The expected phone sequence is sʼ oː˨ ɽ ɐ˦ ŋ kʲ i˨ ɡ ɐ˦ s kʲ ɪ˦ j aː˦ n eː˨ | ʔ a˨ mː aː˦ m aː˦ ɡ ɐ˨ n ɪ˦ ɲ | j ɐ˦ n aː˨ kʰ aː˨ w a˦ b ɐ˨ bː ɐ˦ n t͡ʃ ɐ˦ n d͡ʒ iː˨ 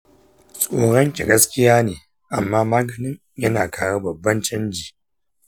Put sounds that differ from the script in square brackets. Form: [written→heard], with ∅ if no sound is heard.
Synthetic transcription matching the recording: sʼ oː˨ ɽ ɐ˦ ŋ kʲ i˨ ɡ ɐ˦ s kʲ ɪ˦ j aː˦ n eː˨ | ʔ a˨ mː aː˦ m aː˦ ɡ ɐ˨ n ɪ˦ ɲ | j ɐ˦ n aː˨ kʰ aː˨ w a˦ b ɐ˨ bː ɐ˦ n t͡ʃ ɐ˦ n d͡ʒ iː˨